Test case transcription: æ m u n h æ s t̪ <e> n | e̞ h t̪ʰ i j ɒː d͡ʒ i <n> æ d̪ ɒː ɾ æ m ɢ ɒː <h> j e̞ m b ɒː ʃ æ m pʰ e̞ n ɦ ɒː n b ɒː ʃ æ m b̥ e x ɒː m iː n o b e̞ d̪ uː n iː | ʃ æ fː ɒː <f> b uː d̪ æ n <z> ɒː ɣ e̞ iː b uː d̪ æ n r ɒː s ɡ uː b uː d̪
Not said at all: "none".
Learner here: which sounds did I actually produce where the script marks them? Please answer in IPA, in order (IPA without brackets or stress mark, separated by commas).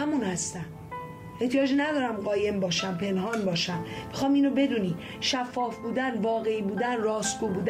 æ, n, none, f, v